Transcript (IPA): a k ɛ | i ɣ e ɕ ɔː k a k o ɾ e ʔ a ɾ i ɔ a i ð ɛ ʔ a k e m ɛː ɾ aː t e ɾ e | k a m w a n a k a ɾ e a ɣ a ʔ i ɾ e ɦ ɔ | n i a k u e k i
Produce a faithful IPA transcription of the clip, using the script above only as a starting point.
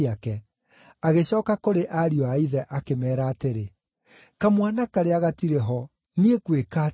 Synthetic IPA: a k ɛ | a ɣ e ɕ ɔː k a k o ɾ e ʔ a ɾ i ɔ a i ð ɛ ʔ a k e m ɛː ɾ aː t e ɾ e | k a m w a n a k a ɾ e a ɣ a t i ɾ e ɦ ɔ | n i e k w e k a